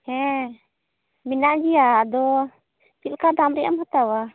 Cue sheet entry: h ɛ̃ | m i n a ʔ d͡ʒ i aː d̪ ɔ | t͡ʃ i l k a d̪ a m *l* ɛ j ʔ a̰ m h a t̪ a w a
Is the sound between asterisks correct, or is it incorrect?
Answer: incorrect